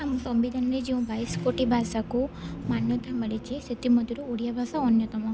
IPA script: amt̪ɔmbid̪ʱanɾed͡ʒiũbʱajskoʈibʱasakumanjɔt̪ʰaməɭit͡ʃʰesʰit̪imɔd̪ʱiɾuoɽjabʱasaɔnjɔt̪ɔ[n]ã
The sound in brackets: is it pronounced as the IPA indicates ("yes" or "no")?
no